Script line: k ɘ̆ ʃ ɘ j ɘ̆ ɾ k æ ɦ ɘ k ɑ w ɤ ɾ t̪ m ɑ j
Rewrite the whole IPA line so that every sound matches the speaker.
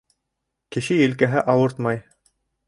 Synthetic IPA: k ɘ̆ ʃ ɘ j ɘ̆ l k æ ɦ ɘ ʔ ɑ w ɤ ɾ t̪ m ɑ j